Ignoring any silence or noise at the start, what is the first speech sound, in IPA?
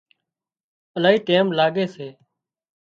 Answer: ə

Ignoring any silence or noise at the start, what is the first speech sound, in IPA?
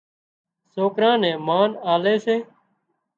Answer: s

